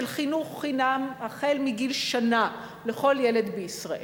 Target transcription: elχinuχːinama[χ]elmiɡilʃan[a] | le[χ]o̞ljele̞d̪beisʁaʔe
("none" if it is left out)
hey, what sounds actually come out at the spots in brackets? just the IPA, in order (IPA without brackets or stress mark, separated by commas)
χ, a, χ